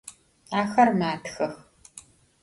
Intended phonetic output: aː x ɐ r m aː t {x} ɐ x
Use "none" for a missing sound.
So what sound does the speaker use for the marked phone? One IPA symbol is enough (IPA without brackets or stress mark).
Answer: x